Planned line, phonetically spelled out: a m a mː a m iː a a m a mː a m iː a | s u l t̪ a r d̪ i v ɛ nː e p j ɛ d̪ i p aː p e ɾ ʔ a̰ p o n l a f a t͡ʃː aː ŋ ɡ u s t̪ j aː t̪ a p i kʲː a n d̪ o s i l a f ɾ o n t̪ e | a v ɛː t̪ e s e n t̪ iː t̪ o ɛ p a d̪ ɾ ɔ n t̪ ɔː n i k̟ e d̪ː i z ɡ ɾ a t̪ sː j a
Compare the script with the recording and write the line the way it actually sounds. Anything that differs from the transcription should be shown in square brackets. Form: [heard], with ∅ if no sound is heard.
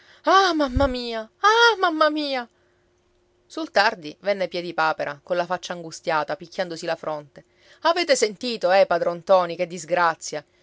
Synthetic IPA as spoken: a m a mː a m iː a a m a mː a m iː a | s u l t̪ a r d̪ i v ɛ nː e p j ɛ d̪ i p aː p e ɾ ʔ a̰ [k] o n l a f a t͡ʃː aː ŋ ɡ u s t̪ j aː t̪ a p i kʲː a n d̪ o s i l a f ɾ o n t̪ e | a v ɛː t̪ e s e n t̪ iː t̪ o ɛ p a d̪ ɾ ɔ n t̪ ɔː n i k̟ e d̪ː i z ɡ ɾ a t̪ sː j a